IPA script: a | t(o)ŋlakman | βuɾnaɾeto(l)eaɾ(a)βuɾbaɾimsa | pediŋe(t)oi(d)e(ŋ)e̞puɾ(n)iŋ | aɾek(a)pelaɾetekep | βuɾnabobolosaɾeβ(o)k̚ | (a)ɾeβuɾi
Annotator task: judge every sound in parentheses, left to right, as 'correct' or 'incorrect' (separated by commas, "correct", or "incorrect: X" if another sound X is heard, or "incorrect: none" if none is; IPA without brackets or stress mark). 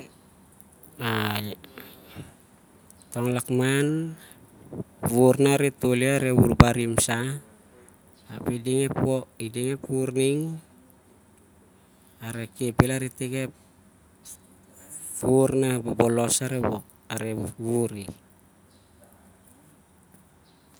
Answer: correct, correct, incorrect: e, incorrect: p, correct, correct, correct, incorrect: e, correct, correct